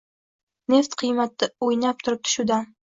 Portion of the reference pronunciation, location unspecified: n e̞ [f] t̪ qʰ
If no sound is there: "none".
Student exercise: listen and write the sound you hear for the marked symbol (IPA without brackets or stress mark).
f